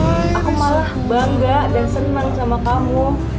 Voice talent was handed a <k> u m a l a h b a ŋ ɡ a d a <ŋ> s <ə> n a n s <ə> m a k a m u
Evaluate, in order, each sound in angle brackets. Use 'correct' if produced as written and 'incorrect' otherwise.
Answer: correct, incorrect, correct, incorrect

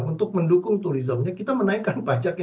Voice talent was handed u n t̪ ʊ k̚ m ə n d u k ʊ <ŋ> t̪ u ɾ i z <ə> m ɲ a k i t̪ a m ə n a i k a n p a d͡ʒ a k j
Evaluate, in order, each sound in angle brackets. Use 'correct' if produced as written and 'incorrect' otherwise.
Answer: correct, correct

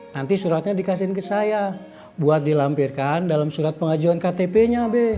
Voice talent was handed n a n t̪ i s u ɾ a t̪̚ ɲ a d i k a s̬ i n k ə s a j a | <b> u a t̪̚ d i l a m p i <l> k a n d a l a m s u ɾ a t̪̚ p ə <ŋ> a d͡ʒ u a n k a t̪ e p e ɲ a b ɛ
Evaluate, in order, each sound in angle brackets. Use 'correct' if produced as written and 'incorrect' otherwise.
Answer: correct, incorrect, correct

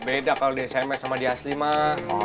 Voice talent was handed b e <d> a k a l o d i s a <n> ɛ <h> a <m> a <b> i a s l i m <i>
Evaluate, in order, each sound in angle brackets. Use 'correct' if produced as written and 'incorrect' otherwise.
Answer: correct, incorrect, incorrect, correct, incorrect, incorrect

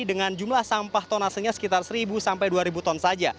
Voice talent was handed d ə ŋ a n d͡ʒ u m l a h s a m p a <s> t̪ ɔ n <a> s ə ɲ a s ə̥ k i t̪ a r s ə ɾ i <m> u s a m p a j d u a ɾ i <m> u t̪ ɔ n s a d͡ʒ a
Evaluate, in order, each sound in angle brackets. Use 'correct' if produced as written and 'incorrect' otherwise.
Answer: incorrect, correct, incorrect, incorrect

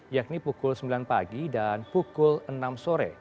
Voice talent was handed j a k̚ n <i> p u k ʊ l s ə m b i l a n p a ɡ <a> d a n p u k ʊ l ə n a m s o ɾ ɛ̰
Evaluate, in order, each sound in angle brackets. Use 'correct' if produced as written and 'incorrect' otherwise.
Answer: correct, incorrect

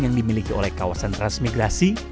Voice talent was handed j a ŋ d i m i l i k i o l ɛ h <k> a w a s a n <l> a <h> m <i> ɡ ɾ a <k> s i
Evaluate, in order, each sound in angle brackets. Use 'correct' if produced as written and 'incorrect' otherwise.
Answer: correct, incorrect, incorrect, correct, incorrect

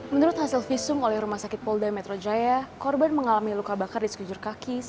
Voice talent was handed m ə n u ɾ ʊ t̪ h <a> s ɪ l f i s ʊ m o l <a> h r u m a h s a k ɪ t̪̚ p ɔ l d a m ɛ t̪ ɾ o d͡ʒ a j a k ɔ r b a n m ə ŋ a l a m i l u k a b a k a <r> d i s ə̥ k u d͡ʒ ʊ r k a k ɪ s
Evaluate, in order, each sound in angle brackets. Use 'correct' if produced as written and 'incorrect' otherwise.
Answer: correct, incorrect, correct

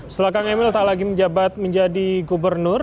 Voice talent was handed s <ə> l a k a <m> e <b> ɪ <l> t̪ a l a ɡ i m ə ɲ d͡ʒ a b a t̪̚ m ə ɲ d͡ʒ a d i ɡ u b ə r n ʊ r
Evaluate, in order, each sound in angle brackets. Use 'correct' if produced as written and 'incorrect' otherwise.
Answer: correct, incorrect, incorrect, correct

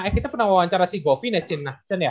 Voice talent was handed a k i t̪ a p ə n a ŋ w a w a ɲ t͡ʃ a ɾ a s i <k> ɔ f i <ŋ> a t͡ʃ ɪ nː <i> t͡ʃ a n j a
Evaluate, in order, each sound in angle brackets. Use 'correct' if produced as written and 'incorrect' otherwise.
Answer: incorrect, incorrect, incorrect

